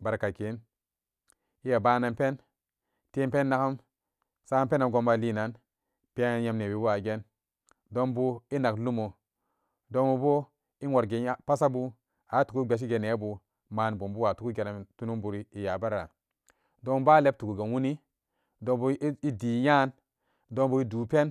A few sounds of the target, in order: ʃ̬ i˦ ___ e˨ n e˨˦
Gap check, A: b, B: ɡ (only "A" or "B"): B